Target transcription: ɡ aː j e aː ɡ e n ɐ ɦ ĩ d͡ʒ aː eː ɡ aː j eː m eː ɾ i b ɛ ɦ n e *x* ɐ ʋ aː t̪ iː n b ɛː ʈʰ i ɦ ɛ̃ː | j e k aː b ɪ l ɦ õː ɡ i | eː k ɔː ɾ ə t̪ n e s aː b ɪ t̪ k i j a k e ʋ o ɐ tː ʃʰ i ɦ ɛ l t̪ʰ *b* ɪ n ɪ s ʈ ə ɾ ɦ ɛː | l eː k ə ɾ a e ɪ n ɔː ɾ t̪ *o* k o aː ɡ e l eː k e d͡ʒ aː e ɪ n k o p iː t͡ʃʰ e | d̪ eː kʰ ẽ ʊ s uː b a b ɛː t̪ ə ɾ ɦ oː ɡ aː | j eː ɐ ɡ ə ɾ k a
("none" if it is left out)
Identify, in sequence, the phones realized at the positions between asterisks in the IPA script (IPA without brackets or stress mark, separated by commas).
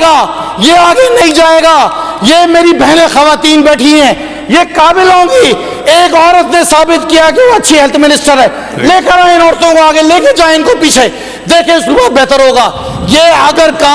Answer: x, m, õ